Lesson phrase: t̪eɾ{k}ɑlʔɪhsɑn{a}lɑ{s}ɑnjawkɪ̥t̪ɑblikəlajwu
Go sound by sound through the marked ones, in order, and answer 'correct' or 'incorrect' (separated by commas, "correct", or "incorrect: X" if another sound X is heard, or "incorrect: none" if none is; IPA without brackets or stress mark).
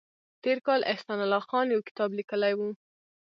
correct, correct, incorrect: x